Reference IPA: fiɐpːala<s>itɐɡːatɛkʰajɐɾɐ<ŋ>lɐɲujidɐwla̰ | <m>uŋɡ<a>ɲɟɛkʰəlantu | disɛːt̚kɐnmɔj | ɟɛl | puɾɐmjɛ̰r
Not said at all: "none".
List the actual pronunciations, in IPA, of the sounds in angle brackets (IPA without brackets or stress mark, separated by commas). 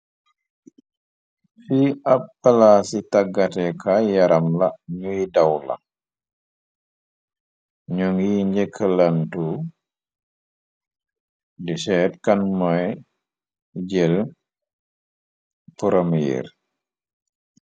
s, m, ɲ, i